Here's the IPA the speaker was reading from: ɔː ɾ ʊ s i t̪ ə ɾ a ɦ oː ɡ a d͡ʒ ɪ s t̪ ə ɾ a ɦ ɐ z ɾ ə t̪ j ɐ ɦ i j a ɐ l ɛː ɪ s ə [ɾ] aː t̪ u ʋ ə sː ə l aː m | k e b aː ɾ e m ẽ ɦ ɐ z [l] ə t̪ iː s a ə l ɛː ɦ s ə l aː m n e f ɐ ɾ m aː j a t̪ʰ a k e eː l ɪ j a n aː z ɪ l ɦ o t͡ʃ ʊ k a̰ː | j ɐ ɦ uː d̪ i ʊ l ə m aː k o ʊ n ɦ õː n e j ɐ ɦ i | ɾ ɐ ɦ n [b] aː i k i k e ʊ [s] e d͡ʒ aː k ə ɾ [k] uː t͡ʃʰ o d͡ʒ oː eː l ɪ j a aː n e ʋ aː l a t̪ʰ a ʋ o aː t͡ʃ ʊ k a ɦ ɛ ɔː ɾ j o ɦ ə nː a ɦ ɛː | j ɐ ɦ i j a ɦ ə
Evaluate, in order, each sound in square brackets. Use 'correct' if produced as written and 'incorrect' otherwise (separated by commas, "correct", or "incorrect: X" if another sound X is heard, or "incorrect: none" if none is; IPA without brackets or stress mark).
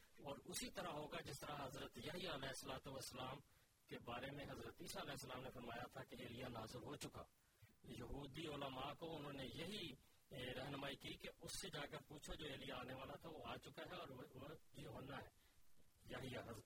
incorrect: l, incorrect: ɾ, incorrect: m, incorrect: sː, incorrect: p